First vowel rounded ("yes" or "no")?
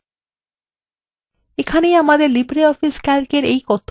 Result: no